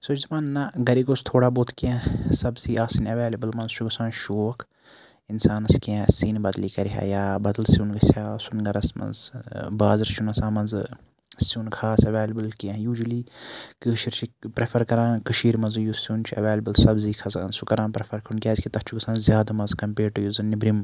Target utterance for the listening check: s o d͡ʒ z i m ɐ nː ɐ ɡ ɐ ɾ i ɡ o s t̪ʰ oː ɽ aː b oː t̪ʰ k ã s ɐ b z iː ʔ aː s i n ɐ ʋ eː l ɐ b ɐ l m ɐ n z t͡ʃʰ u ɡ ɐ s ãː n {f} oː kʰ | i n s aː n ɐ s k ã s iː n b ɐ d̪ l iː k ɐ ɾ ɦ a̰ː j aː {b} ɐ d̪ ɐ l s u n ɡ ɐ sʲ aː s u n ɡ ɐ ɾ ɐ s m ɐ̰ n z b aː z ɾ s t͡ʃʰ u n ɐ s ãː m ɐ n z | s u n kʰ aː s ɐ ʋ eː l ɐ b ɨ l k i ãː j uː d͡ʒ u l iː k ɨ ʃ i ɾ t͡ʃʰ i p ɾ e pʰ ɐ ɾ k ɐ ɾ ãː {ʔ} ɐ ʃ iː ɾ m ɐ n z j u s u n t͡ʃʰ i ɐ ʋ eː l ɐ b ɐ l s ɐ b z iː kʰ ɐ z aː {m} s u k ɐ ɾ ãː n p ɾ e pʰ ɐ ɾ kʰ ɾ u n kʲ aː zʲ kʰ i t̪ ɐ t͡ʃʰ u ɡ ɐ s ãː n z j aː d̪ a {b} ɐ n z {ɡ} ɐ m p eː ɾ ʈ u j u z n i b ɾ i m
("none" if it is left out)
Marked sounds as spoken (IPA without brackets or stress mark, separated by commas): ʃ, b, k, n, m, k